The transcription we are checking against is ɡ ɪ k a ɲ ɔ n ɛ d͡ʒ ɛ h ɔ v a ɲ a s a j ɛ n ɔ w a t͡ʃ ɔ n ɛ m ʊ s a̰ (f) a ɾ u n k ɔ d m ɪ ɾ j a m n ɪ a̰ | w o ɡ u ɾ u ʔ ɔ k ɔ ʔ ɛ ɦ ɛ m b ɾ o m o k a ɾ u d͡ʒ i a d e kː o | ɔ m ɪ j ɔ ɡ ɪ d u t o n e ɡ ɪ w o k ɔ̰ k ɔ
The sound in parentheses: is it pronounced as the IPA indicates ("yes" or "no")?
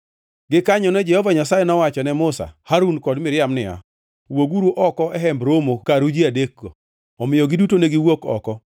no